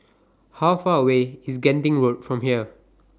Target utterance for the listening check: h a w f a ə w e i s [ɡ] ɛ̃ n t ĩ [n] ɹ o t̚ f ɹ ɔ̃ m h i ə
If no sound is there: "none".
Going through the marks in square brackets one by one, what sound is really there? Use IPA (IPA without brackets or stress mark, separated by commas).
ɡ, ŋ